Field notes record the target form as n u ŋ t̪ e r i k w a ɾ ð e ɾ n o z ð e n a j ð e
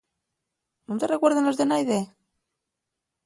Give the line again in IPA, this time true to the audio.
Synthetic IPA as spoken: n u n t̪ e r e k w e ɾ ð e n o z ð e n a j ð e